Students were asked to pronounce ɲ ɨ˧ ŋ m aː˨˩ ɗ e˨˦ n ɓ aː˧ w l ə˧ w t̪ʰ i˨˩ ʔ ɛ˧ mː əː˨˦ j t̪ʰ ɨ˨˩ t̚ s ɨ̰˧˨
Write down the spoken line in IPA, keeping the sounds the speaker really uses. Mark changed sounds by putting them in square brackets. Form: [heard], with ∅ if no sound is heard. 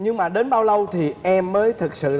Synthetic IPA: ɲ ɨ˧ ŋ m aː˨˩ ɗ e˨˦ n ɓ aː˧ w l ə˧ w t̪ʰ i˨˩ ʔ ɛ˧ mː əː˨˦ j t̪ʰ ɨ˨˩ [k̚] s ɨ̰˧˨

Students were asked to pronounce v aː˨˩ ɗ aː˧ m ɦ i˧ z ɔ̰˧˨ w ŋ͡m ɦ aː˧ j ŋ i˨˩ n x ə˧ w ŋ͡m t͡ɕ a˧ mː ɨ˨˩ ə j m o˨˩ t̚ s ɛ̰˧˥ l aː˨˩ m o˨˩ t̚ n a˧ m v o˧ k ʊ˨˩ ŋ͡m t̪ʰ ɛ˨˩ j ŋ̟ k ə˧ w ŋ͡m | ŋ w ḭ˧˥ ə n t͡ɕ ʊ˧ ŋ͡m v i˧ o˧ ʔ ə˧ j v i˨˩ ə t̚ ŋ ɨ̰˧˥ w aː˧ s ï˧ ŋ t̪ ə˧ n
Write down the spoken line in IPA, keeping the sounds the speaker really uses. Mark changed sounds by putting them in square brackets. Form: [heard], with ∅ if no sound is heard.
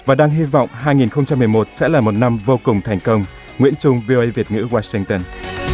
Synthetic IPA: v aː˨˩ ɗ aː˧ [ŋ] ɦ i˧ [v] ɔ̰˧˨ w ŋ͡m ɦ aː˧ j ŋ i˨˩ n x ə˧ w ŋ͡m t͡ɕ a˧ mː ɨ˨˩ ə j m o˨˩ t̚ s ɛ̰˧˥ l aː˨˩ m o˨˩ t̚ n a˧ m v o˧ k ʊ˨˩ ŋ͡m t̪ʰ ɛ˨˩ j ŋ̟ k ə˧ w ŋ͡m | ŋ w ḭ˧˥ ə n t͡ɕ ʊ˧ ŋ͡m v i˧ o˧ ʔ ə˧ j v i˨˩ ə t̚ ŋ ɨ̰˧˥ w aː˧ s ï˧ ŋ t̪ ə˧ n

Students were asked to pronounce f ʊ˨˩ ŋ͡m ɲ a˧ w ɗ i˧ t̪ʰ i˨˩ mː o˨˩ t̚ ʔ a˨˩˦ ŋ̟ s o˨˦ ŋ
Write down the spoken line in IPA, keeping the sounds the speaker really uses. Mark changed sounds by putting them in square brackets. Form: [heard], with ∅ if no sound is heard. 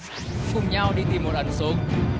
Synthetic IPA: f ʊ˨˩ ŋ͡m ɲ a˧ w ɗ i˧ [t̪] i˨˩ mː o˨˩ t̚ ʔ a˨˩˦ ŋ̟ s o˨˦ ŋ

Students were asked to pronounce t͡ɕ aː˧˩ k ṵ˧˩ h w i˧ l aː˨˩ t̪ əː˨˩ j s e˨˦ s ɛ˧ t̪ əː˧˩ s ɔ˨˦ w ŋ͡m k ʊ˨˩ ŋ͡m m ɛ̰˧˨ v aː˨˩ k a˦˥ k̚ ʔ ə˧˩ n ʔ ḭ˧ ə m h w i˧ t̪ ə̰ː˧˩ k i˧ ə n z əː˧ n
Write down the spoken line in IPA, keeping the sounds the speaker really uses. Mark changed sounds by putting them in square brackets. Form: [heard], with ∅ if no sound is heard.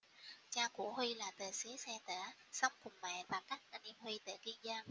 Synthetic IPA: t͡ɕ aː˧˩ k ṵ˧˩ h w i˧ l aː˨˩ t̪ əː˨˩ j s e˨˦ s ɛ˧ t̪ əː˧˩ s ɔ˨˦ w ŋ͡m k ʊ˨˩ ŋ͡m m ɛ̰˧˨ v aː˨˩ k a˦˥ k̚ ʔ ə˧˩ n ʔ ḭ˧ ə m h w i˧ t̪ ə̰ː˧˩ k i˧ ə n z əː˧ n

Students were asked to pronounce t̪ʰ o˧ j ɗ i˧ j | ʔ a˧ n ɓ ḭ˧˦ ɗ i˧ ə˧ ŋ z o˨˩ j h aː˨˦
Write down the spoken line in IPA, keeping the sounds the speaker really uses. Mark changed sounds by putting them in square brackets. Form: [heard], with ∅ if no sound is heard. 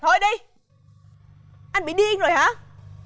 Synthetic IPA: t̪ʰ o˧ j ɗ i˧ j | ʔ a˧ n ɓ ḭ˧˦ ɗ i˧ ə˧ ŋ z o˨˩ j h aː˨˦

